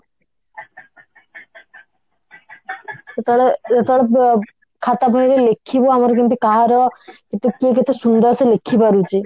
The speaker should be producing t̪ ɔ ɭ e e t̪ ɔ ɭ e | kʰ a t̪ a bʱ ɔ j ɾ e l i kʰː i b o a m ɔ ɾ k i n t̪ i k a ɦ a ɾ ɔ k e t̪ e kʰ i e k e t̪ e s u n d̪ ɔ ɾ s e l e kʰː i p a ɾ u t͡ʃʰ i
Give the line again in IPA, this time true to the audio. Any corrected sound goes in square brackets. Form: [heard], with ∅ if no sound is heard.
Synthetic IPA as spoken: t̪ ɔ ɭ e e t̪ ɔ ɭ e | kʰ a t̪ a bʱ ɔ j ɾ e l [e] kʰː i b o a m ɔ ɾ k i n t̪ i k a ɦ a ɾ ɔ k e t̪ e [k] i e k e t̪ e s u n d̪ ɔ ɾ s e l e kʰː i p a ɾ u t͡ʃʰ i